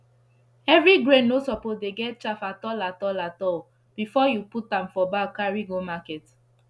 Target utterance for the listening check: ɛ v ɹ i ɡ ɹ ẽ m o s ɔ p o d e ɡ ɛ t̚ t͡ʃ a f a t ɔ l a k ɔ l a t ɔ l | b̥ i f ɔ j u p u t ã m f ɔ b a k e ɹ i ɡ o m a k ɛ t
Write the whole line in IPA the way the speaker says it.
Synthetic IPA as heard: ɛ v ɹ i ɡ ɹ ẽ n o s ɔ p o d e ɡ ɛ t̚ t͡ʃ a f a t ɔ l a t ɔ l a t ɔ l | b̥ i f ɔ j u p u t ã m f ɔ b a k a ɹ i ɡ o m a k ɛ t